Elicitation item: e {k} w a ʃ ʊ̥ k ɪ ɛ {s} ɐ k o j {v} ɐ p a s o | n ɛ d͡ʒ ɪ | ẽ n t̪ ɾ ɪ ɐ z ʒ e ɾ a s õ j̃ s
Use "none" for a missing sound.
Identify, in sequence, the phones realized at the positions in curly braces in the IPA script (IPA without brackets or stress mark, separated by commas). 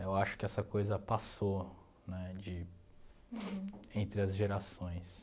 none, s, z